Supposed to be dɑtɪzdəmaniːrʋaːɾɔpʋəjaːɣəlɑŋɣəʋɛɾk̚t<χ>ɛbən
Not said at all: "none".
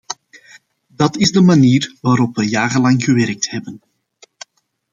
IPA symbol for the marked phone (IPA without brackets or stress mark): h